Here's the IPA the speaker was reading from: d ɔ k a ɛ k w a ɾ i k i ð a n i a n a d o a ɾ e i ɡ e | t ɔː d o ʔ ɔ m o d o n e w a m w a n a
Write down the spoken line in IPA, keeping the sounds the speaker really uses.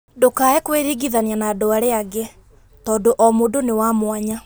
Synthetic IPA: d o k a ɛ k w e ɾ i ɡ i ð a n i a n a d o a ɾ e a ɡ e | t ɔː d o ʔ ɔ m o d o n e w a m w a ɲ a